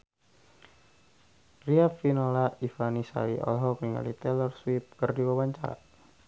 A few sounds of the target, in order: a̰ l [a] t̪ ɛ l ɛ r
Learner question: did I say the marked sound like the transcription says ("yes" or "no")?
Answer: no